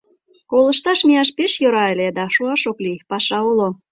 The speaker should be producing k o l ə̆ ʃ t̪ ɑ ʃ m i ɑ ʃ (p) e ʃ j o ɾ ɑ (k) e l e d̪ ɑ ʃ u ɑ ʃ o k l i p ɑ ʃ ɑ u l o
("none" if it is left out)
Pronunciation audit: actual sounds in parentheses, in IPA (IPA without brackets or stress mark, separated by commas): p, none